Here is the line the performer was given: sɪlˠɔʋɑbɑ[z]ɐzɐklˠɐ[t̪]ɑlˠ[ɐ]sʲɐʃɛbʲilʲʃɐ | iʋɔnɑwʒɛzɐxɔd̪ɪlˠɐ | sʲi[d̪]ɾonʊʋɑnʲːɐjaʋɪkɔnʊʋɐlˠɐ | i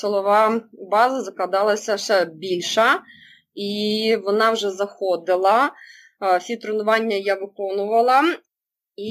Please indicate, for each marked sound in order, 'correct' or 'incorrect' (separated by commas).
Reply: correct, incorrect, correct, incorrect